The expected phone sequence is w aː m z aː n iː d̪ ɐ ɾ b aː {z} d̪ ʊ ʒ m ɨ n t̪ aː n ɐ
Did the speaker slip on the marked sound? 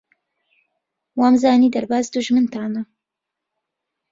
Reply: no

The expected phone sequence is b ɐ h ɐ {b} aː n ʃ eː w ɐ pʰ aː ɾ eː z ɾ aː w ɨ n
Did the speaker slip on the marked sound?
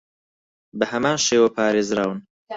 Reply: yes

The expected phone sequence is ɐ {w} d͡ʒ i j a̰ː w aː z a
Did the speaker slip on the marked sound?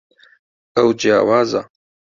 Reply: no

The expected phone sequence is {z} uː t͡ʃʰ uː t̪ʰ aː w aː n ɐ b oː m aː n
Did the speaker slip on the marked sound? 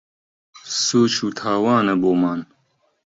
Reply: yes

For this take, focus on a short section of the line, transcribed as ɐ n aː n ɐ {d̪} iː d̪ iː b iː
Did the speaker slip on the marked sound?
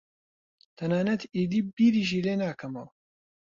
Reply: yes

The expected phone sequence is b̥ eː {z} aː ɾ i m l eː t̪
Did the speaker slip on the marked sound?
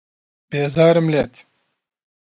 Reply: no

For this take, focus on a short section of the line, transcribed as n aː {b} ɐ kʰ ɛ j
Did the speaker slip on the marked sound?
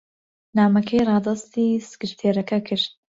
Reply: yes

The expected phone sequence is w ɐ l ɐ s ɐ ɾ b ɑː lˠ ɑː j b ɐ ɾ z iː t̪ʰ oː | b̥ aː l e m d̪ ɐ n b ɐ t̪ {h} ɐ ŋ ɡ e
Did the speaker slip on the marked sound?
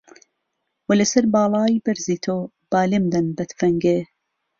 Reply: yes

